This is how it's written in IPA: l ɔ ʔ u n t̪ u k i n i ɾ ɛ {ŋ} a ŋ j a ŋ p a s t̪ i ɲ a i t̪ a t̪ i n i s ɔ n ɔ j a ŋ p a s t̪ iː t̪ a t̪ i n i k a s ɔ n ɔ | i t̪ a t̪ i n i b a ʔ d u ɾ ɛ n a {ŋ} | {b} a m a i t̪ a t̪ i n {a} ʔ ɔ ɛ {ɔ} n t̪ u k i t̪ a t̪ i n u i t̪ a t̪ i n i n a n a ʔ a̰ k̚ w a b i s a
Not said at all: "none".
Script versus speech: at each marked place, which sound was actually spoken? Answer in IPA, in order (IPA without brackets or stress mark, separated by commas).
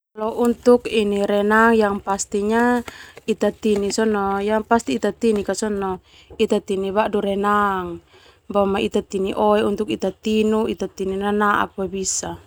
n, ŋ, b, i, u